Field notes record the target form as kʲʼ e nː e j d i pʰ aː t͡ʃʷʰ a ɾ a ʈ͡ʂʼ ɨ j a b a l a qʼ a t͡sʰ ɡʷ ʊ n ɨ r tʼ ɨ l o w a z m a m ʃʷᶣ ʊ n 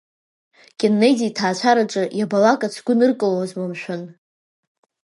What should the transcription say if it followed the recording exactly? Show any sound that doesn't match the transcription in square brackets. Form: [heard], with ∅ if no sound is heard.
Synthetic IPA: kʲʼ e nː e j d i [tʰ] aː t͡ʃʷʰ a ɾ a ʈ͡ʂʼ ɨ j a b a l a [kʼ] a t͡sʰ ɡʷ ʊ n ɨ r [kʼ] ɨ l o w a z m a m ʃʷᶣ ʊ n